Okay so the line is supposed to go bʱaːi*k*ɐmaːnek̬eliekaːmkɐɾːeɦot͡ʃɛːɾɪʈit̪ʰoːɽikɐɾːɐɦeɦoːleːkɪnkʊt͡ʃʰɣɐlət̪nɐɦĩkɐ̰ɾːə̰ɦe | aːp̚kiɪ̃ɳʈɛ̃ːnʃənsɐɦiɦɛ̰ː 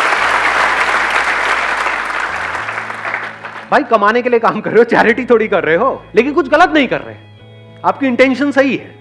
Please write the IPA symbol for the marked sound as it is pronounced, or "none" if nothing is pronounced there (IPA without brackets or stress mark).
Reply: k